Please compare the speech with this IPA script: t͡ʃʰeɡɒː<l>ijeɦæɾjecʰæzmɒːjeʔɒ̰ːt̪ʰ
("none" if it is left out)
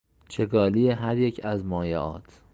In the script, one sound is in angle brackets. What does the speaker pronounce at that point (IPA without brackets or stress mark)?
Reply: l